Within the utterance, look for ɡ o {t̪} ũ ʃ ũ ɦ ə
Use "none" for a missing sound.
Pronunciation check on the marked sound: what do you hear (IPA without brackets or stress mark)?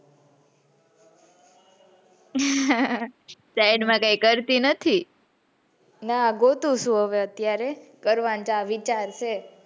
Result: t̪